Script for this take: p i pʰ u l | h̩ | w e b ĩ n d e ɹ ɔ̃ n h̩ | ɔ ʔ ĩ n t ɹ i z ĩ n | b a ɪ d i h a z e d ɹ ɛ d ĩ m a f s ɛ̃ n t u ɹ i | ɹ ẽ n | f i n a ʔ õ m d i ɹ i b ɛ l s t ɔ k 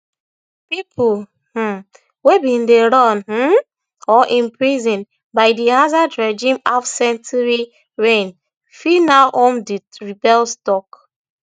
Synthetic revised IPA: p i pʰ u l | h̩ | w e b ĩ n d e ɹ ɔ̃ n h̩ | ɔ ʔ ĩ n p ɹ i z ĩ n | b a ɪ d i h a z a d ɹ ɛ d͡ʒ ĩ m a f s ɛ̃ n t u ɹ i | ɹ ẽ n | f i n a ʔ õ m d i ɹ i b ɛ l s t ɔ k